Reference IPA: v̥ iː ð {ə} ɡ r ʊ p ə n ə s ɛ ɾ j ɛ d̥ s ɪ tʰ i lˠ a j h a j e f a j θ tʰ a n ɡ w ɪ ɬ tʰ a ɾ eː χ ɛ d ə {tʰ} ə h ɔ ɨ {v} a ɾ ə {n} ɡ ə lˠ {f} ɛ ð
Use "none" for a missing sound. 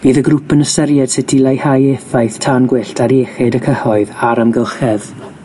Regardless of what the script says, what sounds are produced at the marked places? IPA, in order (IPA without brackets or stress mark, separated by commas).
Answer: ə, kʰ, ð, m, χ